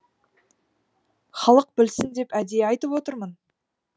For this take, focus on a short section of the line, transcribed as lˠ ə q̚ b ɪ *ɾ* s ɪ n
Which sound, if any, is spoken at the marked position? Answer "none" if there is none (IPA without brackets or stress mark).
l